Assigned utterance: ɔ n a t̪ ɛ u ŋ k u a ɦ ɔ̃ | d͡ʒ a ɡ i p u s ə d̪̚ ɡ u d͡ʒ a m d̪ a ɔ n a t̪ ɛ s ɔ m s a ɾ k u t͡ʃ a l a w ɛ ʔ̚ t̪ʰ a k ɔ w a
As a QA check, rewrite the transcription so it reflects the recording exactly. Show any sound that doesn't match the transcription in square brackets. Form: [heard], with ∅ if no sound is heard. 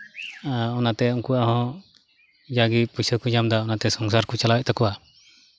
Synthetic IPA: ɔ n a t̪ ɛ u ŋ k u a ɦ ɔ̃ | d͡ʒ a ɡ i p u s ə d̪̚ [k] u d͡ʒ a m d̪ a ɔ n a t̪ ɛ s ɔ [ŋ] s a ɾ k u t͡ʃ a l a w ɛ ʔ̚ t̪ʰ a k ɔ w a